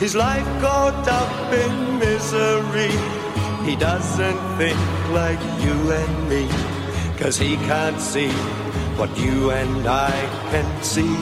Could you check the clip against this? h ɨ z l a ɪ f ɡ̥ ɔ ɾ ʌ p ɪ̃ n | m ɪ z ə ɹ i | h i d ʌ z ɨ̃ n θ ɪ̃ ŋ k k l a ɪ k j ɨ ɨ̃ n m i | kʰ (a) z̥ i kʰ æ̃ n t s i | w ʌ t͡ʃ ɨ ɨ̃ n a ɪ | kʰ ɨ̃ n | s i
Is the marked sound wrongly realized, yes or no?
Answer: yes